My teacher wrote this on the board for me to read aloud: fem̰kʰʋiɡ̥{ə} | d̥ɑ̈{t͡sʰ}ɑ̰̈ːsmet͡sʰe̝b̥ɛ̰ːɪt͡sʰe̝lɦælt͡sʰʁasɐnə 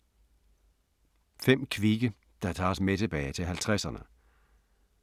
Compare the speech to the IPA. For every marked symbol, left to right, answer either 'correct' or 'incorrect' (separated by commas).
correct, correct